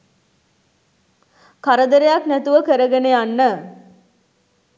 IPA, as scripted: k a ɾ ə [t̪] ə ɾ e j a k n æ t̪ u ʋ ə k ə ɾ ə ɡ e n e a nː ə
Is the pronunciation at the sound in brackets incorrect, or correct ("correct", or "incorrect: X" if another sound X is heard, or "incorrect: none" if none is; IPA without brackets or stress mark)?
incorrect: d̪